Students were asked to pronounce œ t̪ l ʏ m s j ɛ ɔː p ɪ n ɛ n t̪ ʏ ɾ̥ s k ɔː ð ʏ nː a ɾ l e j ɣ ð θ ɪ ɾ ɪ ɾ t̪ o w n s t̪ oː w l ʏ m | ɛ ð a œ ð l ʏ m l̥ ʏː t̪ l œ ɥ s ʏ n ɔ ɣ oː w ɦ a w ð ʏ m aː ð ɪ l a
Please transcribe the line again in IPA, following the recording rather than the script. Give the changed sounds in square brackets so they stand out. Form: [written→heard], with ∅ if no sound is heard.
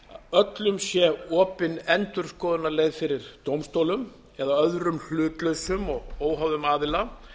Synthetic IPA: œ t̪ l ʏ m s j ɛ ɔː p ɪ n ɛ n t̪ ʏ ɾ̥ s k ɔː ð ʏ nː a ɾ l e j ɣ ð [θ→f] ɪ ɾ ɪ ɾ t̪ o w [n→m] s t̪ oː w l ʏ m | ɛ ð a œ ð [l→ɾ] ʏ m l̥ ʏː t̪ l œ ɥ s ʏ [n→m] ɔ ɣ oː w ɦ a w ð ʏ m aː ð ɪ l a

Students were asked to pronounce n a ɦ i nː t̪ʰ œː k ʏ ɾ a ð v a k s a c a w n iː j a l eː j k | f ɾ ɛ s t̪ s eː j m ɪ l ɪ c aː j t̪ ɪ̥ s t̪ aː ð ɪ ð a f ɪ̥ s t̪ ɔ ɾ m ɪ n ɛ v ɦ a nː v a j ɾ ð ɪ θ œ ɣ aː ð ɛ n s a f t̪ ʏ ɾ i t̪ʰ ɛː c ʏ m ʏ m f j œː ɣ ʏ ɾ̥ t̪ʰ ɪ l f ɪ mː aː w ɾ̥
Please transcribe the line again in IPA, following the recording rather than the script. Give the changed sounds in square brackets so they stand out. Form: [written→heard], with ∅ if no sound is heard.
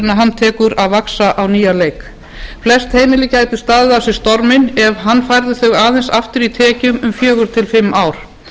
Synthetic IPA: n a ɦ [i→a] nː t̪ʰ [œː→ɛː] k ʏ ɾ a ð v a k s a [c→ʔ] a w n iː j a l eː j k | f [ɾ→l] ɛ s t̪ [s→h] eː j m ɪ l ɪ c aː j t̪ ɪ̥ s t̪ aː ð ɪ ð a [f→s] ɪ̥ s t̪ ɔ ɾ m ɪ n ɛ v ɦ a nː [v→f] a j ɾ ð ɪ θ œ ɣ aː ð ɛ n s a f t̪ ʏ ɾ i t̪ʰ ɛː c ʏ m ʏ m f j œː ɣ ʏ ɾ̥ t̪ʰ ɪ l f ɪ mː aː w ɾ̥

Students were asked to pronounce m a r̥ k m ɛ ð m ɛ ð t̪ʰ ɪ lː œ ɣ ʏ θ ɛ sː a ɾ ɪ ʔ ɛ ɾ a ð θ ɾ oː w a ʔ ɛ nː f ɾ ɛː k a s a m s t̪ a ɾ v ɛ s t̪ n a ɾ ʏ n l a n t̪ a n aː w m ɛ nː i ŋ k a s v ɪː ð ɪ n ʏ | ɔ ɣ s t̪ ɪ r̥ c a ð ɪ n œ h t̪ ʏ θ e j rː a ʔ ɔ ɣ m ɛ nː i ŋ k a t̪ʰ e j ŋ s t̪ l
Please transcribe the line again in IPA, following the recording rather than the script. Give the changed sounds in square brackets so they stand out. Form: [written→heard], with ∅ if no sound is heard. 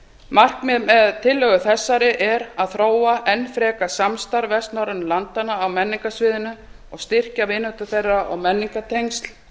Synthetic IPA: m a r̥ k m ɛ ð m ɛ ð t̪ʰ ɪ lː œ ɣ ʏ θ ɛ sː a ɾ ɪ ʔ ɛ ɾ a ð θ ɾ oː w a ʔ ɛ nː f ɾ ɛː k a s a m s t̪ a ɾ v ɛ s t̪ n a ɾ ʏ n l a n t̪ a n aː w m ɛ nː i ŋ k a s v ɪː ð ɪ n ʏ | ɔ ɣ s t̪ ɪ r̥ c a [ð→v] ɪ n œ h t̪ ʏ θ e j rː a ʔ ɔ ɣ m ɛ nː i ŋ k a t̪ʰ e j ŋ s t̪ l

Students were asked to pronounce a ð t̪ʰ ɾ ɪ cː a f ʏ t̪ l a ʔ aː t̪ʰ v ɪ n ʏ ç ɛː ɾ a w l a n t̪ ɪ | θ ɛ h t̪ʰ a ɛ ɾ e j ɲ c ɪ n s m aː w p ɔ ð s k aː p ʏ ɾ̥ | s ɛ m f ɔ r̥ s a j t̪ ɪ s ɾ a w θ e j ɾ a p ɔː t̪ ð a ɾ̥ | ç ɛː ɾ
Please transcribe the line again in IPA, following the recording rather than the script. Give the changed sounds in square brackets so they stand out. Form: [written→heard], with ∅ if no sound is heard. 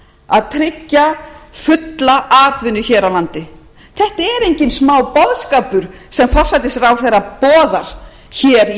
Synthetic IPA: a ð t̪ʰ ɾ ɪ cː a f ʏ t̪ l a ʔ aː [t̪ʰ→t̪] v ɪ n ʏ ç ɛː ɾ a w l a n t̪ ɪ | θ ɛ h [t̪ʰ→t̪] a ɛ ɾ e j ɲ c ɪ n s m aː w p ɔ ð s k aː p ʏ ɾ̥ | s ɛ m f ɔ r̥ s a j t̪ ɪ s ɾ a w θ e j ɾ a p ɔː [t̪→∅] ð a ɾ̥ | ç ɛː ɾ

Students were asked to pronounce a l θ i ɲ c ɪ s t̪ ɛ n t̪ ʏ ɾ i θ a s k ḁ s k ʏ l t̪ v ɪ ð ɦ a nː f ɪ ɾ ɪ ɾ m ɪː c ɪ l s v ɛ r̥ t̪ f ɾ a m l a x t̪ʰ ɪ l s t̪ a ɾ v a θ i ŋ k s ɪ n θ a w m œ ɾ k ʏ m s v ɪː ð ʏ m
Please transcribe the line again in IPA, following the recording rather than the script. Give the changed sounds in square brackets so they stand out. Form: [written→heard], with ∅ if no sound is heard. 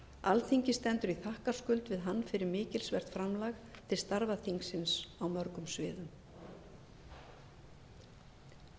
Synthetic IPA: a l θ i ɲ c ɪ s t̪ ɛ n t̪ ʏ ɾ i θ a [s→h] k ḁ s k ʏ l t̪ v ɪ ð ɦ a nː f ɪ ɾ ɪ ɾ m ɪː c ɪ l s v ɛ r̥ t̪ f ɾ a m l a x t̪ʰ ɪ l s t̪ a ɾ v a θ i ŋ k s ɪ n [θ→s] a w m œ ɾ k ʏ m s v ɪː ð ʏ m

